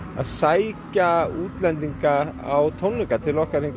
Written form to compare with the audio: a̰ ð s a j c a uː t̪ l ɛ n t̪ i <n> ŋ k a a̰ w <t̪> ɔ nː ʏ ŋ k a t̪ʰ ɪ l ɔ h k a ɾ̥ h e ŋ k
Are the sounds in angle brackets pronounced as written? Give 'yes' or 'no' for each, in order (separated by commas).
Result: no, no